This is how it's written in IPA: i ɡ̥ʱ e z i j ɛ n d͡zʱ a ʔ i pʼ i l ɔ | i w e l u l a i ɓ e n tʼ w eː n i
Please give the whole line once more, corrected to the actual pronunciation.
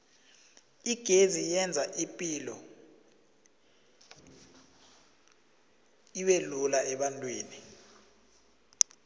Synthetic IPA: i ɡ̥ʱ e z i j ɛ n d͡zʱ a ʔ i pʼ i l ɔ | i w e l u l a ɛ ɓ a n tʼ w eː n i